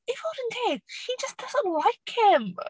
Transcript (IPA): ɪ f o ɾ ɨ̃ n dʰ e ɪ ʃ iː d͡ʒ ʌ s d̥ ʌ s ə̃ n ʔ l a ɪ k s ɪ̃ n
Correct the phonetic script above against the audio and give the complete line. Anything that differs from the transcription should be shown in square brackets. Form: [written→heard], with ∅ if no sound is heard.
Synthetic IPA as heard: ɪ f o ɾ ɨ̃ n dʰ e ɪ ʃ [iː→i] d͡ʒ ʌ s d̥ ʌ [s→z] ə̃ n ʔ l a ɪ k [s→h] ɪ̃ [n→m]